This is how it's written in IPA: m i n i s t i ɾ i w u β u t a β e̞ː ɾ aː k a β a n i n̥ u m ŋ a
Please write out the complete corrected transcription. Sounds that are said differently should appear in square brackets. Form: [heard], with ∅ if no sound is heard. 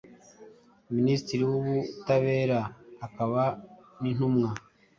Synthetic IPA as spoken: m i n i s t i ɾ i w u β u t a β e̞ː ɾ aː k a β a n i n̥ u m ŋ a